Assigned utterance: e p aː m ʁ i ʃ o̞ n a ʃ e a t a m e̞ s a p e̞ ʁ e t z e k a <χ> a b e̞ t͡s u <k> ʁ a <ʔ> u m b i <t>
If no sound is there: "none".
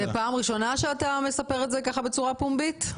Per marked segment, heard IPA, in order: χ, none, p, t

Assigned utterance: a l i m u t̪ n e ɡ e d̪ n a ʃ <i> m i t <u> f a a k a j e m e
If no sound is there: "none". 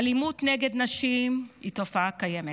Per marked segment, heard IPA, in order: i, o

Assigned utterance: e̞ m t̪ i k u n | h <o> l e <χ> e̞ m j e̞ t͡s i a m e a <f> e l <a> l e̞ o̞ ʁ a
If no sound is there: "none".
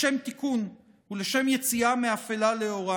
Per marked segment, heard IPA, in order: u, ʃ, f, a

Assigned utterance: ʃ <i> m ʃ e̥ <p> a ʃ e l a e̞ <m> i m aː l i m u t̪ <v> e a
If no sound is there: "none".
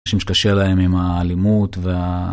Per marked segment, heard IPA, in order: i, k, m, v

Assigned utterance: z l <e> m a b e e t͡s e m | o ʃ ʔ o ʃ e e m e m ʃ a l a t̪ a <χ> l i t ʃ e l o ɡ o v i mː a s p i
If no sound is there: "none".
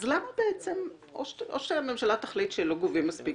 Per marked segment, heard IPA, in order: a, χ

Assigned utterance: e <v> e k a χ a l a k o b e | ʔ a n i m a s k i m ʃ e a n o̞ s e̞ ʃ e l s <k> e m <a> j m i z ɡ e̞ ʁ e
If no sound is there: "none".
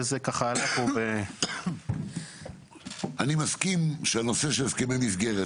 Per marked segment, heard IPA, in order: z, k, e

